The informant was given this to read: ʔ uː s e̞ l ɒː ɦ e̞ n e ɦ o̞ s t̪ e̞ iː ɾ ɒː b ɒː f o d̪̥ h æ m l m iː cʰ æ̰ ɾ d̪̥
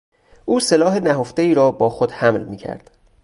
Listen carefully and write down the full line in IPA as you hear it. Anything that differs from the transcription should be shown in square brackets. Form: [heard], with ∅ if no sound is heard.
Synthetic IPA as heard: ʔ uː s e̞ l ɒː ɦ e̞ n [æ] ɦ o̞ [f] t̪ e̞ iː ɾ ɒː b ɒː [x] o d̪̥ h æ m l m iː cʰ æ̰ ɾ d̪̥